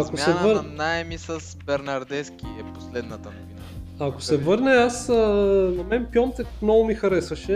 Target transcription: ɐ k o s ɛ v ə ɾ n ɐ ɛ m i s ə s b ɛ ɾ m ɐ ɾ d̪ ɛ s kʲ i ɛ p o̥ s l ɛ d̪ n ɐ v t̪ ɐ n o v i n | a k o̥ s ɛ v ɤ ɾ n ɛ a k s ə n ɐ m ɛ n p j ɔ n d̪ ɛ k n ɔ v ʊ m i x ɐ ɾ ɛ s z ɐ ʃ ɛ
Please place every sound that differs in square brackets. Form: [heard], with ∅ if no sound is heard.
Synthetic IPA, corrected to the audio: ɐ k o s ɛ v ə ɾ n [a] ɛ m i s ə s b ɛ ɾ [n] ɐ ɾ d̪ ɛ s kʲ i ɛ p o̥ s l ɛ d̪ n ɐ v t̪ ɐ n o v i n | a k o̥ s ɛ v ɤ ɾ n ɛ a [∅] s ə n ɐ m ɛ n p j ɔ n [t̪] ɛ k n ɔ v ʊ m i x ɐ ɾ ɛ s [v] ɐ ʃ ɛ